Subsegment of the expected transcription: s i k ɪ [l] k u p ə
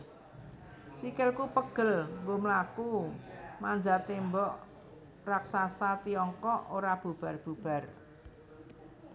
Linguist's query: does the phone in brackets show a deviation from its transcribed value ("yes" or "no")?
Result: no